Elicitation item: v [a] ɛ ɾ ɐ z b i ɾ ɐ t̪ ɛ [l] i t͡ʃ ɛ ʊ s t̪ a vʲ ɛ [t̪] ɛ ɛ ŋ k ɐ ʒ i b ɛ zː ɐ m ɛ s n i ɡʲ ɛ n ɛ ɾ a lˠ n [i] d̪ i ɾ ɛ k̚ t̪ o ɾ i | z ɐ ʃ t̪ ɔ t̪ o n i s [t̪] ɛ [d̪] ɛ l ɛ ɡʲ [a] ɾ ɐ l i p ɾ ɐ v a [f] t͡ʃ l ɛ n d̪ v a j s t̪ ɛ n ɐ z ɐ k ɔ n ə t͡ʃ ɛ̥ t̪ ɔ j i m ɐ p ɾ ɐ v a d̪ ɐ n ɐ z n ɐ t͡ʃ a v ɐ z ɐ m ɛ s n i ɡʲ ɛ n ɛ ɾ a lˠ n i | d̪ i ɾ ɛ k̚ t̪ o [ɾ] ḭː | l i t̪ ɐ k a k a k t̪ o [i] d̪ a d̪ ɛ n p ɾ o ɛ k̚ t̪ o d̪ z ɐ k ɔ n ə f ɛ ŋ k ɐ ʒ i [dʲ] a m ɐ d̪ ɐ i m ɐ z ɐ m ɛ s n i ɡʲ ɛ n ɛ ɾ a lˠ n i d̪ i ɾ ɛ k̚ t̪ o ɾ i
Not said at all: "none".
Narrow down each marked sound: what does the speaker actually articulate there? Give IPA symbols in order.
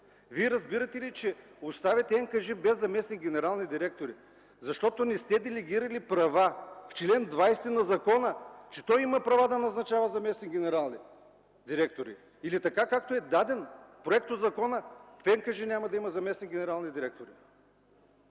i, l, t̪, i, t̪, d̪, i, f, ɾ, ɛ, nʲ

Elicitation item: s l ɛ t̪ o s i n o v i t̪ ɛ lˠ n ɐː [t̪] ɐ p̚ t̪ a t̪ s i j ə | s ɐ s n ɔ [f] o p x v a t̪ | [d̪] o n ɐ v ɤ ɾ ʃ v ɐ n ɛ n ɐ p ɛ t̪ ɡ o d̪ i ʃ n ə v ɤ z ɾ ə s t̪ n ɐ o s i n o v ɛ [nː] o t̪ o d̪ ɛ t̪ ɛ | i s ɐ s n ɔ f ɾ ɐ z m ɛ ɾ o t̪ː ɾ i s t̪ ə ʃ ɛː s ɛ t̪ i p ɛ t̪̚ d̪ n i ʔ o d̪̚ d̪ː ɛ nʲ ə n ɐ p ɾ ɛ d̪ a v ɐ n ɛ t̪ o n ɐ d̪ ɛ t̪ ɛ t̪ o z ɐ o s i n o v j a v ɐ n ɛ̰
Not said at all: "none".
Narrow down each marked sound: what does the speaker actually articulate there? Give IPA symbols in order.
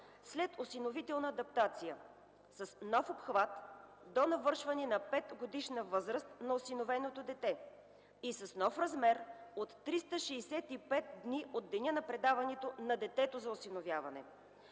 d̪, f, d̪, n

